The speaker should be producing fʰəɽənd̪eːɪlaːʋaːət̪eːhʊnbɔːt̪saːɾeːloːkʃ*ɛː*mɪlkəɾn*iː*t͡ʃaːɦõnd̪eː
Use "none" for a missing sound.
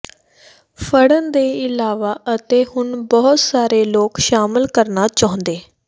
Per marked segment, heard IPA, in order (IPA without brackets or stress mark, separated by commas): aː, aː